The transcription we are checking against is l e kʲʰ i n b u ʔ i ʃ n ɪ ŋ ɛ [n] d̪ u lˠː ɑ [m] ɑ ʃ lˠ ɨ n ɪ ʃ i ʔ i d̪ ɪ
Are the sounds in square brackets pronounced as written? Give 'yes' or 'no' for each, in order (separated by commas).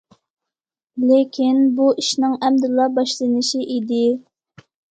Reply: no, no